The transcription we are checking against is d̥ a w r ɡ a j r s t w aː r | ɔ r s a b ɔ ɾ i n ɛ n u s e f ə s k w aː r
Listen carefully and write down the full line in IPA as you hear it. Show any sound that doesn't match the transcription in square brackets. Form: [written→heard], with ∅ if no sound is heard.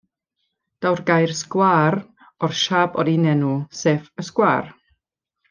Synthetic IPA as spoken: d̥ a w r ɡ a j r s [t→k] w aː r | ɔ r [s→ʃ] a b ɔ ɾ i n ɛ n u s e f ə s k w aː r